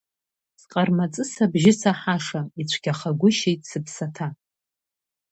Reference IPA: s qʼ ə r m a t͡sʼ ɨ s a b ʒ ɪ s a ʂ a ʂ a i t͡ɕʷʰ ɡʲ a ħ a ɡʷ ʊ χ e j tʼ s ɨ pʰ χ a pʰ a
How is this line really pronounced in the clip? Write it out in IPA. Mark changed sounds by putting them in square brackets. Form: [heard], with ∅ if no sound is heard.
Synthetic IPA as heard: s qʼ [a] r m a t͡sʼ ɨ s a b ʒ ɪ s a [ħ] a ʂ a i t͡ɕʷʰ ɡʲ a [χ] a ɡʷ ʊ [ʃ] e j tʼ s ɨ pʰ [s] a [tʰ] a